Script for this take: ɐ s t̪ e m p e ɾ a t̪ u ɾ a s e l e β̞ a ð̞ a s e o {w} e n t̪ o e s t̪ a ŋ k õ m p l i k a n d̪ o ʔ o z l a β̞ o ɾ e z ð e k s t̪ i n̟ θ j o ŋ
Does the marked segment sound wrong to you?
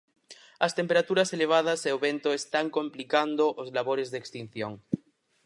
yes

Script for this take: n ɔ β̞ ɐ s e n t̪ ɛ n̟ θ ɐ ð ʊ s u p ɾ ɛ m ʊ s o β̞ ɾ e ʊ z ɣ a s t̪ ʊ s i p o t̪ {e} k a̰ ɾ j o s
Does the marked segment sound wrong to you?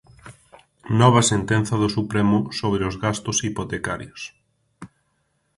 no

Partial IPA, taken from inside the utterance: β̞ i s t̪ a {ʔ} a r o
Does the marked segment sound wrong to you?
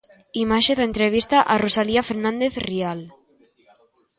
no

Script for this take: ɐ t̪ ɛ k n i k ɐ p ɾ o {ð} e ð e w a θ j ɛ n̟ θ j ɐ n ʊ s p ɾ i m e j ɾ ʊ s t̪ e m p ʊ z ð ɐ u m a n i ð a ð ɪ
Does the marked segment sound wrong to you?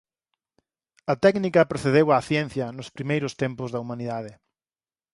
yes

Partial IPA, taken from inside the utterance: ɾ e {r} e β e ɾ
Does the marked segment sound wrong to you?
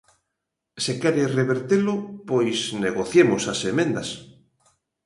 no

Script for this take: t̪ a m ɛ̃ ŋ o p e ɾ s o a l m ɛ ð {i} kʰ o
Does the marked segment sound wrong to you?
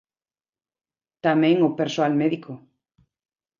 no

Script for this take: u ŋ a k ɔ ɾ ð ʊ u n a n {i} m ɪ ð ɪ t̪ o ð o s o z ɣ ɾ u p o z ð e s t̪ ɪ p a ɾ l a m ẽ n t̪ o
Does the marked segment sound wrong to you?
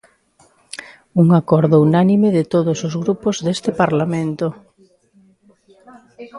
no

